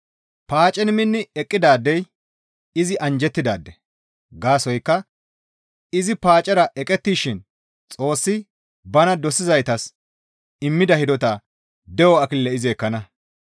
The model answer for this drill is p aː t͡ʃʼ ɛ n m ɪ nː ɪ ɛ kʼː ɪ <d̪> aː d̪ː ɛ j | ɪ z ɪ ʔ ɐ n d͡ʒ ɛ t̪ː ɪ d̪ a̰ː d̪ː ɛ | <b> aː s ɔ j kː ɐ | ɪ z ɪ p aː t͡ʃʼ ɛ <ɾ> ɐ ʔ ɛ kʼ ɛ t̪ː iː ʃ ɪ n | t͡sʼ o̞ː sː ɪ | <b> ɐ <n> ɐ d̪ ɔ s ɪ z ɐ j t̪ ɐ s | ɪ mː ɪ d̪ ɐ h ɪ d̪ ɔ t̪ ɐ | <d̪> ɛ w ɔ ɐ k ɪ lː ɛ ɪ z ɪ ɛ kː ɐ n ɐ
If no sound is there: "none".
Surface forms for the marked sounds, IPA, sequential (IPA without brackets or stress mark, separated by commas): d̪, ɡ, ɾ, b, n, d̪